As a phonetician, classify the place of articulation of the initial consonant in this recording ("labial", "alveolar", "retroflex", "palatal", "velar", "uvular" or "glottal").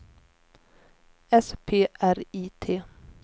alveolar